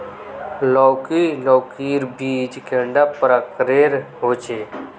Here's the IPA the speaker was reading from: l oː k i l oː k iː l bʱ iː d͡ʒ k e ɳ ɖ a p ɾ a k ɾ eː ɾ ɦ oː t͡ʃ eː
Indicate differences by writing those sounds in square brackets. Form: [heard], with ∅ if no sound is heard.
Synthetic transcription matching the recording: l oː k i l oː k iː [ɾ] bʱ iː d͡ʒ k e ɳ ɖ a p ɾ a k ɾ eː ɾ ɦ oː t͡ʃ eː